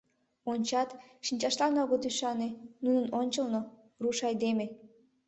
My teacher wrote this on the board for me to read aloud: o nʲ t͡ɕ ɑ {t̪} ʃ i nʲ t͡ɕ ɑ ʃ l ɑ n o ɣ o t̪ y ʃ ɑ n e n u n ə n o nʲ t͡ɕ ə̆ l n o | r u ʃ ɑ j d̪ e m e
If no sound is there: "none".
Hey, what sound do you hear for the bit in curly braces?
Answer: t̪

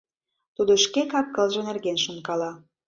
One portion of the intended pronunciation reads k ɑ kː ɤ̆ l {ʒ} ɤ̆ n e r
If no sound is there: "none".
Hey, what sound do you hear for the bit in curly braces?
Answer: ʒ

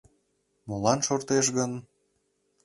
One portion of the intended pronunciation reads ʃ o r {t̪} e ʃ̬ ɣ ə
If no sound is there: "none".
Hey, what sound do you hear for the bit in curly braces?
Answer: t̪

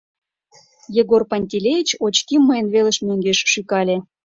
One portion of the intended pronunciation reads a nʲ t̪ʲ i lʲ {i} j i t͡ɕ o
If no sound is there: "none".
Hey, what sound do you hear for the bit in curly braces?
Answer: e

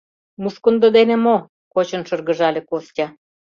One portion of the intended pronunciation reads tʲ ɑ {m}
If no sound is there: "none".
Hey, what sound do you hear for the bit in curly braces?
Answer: none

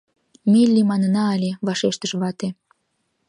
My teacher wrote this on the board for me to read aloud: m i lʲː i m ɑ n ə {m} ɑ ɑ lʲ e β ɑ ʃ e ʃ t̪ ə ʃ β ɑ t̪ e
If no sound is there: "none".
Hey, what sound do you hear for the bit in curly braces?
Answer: n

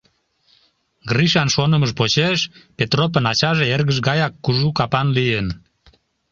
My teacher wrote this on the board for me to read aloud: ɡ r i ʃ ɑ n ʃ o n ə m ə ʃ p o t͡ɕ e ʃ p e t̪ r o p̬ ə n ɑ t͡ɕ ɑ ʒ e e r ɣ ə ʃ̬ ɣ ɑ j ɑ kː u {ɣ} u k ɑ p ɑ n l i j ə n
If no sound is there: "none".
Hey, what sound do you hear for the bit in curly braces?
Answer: ʒ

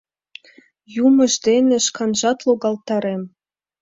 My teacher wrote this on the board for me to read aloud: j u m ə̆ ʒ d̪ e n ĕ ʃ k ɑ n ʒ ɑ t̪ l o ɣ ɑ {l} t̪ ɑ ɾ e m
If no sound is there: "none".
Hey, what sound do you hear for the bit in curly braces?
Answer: l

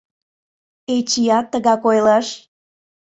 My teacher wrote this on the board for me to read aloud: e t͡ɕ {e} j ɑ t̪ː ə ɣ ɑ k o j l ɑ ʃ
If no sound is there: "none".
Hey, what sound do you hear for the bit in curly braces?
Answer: i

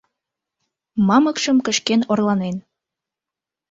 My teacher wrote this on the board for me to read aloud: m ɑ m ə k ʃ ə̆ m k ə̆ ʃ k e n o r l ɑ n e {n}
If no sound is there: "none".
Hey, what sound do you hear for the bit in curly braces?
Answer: n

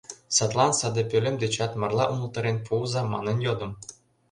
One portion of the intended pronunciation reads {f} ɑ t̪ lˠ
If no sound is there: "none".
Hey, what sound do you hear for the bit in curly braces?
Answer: s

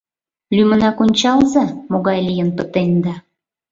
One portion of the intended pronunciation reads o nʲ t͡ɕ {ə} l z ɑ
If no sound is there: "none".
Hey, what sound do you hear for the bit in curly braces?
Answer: ɑ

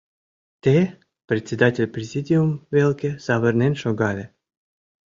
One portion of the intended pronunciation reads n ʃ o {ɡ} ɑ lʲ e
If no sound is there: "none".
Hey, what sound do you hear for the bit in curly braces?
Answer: ɡ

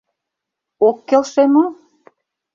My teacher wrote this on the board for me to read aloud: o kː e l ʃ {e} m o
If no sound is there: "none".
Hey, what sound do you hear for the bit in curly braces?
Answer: e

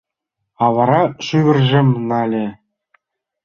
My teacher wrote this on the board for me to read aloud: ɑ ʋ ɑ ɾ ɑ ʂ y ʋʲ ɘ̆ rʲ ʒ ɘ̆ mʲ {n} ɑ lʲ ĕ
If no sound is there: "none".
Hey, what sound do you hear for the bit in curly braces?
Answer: n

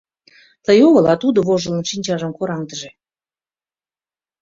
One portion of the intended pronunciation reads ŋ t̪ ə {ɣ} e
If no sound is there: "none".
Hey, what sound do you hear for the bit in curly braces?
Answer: ʒ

